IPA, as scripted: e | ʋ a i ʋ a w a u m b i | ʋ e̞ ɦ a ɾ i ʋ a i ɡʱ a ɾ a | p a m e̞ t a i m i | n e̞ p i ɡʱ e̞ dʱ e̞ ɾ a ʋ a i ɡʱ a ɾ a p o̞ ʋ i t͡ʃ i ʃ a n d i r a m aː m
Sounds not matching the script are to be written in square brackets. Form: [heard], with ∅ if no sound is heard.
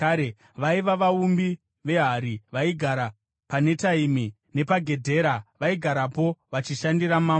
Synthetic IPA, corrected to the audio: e | ʋ a i ʋ a [ʋ] a u m b i | ʋ e̞ ɦ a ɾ i ʋ a i ɡʱ a ɾ a | p a [n] e̞ t a i m i | n e̞ p [a] ɡʱ e̞ dʱ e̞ ɾ a ʋ a i ɡʱ a ɾ a p o̞ ʋ [a] t͡ʃ i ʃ a n d i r a m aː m